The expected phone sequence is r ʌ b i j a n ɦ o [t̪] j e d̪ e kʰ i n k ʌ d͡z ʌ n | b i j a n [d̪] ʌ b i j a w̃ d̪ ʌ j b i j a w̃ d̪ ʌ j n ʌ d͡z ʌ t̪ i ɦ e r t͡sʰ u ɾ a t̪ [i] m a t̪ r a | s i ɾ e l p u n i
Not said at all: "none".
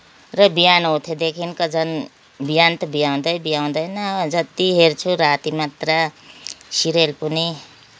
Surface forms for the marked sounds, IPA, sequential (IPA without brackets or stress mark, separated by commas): t̪ʰ, t̪, i